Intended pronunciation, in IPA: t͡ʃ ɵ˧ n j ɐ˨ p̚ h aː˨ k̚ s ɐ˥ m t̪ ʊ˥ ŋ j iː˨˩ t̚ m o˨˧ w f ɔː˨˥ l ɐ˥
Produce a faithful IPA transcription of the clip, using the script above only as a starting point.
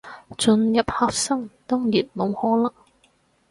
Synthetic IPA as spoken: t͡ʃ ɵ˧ n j ɐ˨ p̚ h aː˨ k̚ s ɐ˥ ŋ t̪ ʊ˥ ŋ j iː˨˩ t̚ m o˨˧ w h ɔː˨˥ l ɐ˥